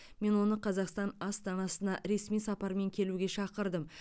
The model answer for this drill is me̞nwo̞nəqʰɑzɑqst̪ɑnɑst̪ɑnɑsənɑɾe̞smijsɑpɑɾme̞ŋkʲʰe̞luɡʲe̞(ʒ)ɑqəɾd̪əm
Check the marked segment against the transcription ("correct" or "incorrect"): incorrect